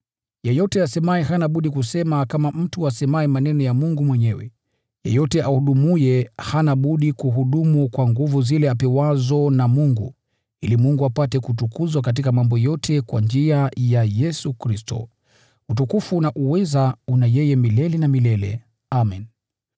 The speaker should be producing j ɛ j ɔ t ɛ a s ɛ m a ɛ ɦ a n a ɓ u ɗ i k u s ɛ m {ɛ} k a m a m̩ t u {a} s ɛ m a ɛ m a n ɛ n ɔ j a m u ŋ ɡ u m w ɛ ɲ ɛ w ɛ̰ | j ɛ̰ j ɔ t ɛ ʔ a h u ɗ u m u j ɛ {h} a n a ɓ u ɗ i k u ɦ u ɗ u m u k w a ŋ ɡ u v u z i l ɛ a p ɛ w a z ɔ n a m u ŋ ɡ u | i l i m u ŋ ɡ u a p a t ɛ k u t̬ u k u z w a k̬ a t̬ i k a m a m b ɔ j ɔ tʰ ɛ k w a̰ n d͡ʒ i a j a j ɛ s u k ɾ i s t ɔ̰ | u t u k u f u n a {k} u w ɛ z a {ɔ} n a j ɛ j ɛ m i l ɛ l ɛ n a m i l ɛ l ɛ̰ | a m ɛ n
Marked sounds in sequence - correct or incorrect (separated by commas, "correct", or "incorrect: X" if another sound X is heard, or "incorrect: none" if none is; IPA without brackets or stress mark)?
incorrect: a, correct, correct, incorrect: ʔ, incorrect: u